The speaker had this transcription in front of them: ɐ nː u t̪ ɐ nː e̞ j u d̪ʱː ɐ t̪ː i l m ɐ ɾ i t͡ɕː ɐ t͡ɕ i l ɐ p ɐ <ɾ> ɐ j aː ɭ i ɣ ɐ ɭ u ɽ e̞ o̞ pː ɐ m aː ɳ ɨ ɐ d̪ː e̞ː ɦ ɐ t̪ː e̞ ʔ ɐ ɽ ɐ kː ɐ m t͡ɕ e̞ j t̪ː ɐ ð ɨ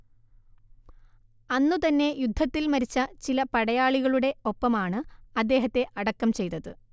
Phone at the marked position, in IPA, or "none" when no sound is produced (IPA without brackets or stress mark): ɽ